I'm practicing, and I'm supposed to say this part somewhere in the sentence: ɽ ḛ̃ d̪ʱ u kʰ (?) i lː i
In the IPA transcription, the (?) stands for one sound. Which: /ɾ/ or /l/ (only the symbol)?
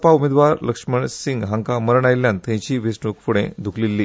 l